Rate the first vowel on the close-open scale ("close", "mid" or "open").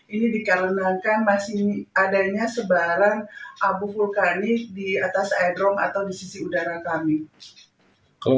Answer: close